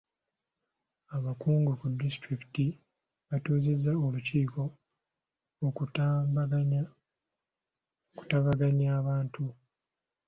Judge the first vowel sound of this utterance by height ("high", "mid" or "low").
low